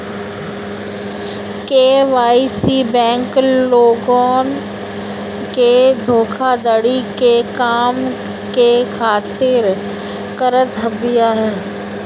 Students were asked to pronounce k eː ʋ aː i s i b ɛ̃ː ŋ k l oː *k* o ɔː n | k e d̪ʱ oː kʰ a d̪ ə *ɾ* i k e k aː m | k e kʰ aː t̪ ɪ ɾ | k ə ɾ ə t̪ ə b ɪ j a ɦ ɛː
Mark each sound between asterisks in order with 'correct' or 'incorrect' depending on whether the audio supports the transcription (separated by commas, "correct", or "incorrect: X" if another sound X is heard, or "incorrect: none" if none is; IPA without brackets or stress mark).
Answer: incorrect: ɡ, incorrect: ɽ